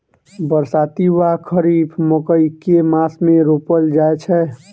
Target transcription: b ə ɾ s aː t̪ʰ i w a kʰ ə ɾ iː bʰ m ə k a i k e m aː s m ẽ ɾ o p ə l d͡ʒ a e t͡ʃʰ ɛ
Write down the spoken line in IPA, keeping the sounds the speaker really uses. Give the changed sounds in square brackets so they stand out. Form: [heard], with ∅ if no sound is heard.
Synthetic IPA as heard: b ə ɾ s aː [t̪] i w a kʰ ə ɾ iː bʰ m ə k [ə] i k e m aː s m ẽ ɾ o p ə l d͡ʒ a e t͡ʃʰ ɛ